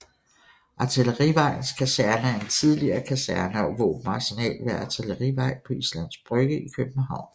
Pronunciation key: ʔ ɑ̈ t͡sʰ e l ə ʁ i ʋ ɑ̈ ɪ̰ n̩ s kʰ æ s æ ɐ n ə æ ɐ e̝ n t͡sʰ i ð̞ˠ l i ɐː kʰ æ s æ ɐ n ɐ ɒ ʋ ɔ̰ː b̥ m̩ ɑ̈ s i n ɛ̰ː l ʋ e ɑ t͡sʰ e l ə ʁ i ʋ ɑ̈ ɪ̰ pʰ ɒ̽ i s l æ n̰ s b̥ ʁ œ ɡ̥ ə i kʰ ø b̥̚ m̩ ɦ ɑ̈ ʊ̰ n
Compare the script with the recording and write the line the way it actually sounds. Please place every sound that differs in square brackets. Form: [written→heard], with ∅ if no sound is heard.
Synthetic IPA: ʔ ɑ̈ t͡sʰ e l ə ʁ i ʋ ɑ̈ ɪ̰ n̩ s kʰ æ s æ ɐ n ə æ ɐ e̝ n t͡sʰ i ð̞ˠ l i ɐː kʰ æ s æ ɐ n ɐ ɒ ʋ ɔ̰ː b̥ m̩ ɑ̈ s i n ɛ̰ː l ʋ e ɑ t͡sʰ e l ə ʁ i ʋ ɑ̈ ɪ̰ pʰ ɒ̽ i s l æ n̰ s b̥ ʁ œ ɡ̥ ə i kʰ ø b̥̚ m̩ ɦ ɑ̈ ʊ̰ n

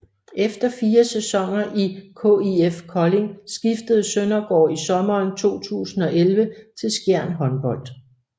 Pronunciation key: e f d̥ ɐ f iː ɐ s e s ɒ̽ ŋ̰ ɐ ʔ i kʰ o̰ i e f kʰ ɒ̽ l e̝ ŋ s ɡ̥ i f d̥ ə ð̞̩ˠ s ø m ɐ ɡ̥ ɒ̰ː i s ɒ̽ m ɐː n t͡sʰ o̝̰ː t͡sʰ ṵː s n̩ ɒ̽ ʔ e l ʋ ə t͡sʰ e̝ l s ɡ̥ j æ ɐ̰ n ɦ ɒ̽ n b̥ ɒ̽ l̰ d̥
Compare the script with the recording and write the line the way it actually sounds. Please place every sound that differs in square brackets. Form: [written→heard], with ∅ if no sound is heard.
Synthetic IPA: e f d̥ ɐ f iː ɐ s e s ɒ̽ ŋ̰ ɐ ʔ i kʰ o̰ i e f kʰ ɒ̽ l e̝ ŋ s ɡ̥ i f d̥ ə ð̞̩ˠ s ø [m→n] ɐ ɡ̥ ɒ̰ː i s ɒ̽ m ɐː n t͡sʰ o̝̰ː t͡sʰ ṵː s n̩ ɒ̽ ʔ e l ʋ ə t͡sʰ e̝ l s ɡ̥ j æ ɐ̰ n ɦ ɒ̽ n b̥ ɒ̽ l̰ d̥

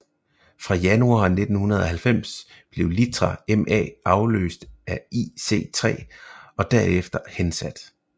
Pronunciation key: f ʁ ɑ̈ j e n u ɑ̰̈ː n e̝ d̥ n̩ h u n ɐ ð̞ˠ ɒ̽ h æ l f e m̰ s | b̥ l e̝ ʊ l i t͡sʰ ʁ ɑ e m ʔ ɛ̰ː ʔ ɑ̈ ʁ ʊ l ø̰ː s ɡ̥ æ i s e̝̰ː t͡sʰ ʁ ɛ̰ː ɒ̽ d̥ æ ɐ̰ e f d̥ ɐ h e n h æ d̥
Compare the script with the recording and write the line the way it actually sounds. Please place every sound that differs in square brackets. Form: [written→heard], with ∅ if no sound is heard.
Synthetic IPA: f ʁ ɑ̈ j [e→æ] n u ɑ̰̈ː n e̝ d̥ n̩ h u n ɐ ð̞ˠ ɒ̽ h æ l f e m̰ s | b̥ l e̝ ʊ l i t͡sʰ ʁ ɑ e m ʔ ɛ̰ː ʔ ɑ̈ [ʁ→∅] ʊ l ø̰ː s [ɡ̥→d̥] æ i s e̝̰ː t͡sʰ ʁ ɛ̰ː ɒ̽ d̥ æ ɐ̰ e f d̥ ɐ h e n [h→s] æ d̥

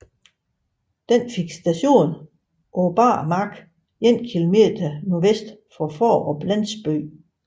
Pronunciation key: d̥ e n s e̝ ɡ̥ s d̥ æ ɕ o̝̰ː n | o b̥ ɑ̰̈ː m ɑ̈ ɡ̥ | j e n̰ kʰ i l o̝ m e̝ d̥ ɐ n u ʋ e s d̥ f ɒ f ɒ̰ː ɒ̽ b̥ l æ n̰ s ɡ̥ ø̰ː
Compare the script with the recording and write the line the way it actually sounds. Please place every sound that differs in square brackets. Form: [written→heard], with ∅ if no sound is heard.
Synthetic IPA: d̥ e n [s→f] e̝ ɡ̥ s d̥ æ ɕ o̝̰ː n | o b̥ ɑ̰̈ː m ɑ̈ ɡ̥ | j e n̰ kʰ i l o̝ m e̝ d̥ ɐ n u ʋ e s d̥ f ɒ f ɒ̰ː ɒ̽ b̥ l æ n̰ s [ɡ̥→b̥] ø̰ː

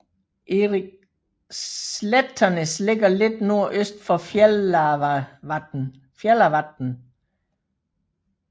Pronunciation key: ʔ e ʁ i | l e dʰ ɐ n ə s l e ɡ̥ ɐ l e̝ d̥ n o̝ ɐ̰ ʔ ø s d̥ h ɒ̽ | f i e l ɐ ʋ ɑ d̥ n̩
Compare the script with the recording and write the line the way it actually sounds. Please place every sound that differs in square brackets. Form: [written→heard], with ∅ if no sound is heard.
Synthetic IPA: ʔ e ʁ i | l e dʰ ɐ n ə s l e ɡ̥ ɐ l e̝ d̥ n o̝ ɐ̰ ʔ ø s d̥ [h→f] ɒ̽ | f [i→j] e l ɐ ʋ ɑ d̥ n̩

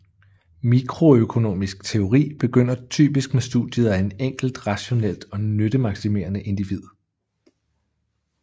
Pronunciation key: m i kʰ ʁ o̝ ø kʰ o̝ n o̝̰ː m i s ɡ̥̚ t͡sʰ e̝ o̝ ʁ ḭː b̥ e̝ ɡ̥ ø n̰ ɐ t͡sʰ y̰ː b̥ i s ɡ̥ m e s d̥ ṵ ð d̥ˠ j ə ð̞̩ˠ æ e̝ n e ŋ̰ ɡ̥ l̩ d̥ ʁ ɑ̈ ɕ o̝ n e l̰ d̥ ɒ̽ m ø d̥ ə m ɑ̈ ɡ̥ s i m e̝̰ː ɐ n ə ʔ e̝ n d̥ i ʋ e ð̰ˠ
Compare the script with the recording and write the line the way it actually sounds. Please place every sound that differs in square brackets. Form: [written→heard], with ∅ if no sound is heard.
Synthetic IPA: m i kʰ ʁ o̝ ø kʰ o̝ n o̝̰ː m i s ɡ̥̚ t͡sʰ e̝ o̝ ʁ ḭː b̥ e̝ ɡ̥ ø n̰ ɐ t͡sʰ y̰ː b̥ i s ɡ̥ m e s d̥ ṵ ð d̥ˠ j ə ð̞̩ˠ æ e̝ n e ŋ̰ ɡ̥ l̩ d̥ ʁ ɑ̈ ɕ o̝ n e l̰ d̥ ɒ̽ [m→n] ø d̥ ə m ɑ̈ ɡ̥ s i m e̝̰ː ɐ n ə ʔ e̝ n d̥ i ʋ [e→i] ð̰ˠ

